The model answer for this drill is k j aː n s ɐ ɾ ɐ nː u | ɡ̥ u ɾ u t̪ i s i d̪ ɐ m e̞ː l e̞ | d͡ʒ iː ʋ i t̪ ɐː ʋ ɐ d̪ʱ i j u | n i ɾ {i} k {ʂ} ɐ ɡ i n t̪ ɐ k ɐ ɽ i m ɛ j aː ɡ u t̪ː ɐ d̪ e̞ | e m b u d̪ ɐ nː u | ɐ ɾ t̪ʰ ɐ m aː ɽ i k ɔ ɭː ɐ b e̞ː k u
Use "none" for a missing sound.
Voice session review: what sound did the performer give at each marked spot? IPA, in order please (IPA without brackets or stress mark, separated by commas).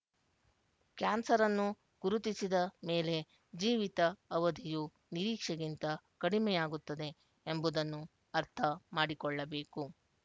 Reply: iː, ʂ